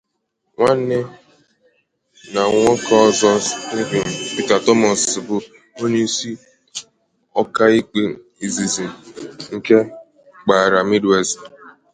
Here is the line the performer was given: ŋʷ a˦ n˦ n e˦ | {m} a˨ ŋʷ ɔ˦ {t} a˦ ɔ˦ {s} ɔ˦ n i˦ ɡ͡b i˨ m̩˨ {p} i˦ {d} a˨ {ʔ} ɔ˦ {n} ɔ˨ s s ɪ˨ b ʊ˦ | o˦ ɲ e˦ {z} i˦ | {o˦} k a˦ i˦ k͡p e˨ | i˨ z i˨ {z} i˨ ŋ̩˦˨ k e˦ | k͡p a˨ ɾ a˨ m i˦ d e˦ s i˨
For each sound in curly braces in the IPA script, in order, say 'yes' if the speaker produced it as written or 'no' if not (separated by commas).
no, no, no, yes, no, no, no, no, no, yes